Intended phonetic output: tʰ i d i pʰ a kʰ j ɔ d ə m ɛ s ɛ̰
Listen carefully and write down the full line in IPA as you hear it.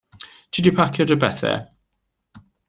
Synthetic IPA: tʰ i d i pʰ a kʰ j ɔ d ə b ɛ θ ɛ̰